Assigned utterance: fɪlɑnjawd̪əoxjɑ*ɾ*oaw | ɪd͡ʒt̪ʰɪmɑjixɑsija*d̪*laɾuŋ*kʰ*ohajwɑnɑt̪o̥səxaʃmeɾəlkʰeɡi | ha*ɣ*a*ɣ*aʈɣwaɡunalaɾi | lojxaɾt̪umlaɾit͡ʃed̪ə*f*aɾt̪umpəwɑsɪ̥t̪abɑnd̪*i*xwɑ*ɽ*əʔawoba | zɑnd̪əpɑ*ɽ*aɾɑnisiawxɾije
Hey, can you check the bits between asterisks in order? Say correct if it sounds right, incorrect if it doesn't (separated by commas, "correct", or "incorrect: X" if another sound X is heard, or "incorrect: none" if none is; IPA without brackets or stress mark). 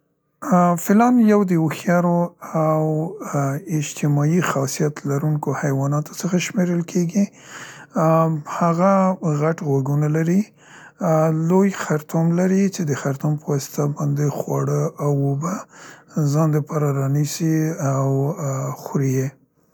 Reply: correct, incorrect: t̪, incorrect: k, correct, correct, incorrect: x, incorrect: e, correct, incorrect: ɾ